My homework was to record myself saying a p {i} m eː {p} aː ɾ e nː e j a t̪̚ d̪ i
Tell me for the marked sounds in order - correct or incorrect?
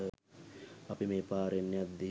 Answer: correct, correct

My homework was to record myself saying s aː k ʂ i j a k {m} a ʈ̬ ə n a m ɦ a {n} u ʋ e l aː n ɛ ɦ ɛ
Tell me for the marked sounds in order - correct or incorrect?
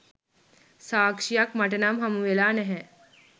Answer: correct, incorrect: m

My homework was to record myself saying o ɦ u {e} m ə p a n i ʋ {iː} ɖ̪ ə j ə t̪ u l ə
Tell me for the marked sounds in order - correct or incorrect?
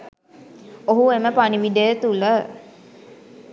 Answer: correct, incorrect: i

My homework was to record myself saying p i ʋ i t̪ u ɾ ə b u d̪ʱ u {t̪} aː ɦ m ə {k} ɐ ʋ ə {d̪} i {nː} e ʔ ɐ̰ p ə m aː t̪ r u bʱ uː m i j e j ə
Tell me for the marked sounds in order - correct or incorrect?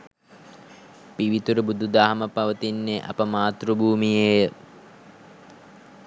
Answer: incorrect: d̪, incorrect: p, incorrect: t̪, correct

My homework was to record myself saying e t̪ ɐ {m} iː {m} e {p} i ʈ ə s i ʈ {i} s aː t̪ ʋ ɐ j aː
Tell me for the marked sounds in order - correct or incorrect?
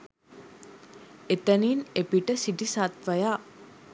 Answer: incorrect: n, incorrect: n, correct, correct

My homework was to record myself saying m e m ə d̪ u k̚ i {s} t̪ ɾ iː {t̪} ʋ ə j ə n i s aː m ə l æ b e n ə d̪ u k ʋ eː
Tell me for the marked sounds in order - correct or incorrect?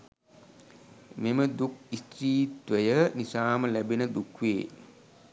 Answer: correct, correct

